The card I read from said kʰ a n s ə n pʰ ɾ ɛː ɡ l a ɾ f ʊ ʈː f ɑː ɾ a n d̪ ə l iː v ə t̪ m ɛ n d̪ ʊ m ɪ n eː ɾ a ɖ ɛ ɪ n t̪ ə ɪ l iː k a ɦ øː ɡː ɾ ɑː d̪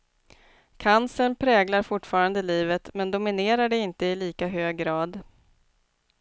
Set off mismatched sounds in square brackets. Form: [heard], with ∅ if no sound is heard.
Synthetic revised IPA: kʰ a n s ə n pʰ ɾ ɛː ɡ l a ɾ f ʊ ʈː f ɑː ɾ a n d̪ ə l iː v ə t̪ m ɛ n d̪ ʊ m ɪ n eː ɾ a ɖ ɛ ɪ n t̪ ə ɪ l iː k a ɦ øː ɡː ɾ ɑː d̪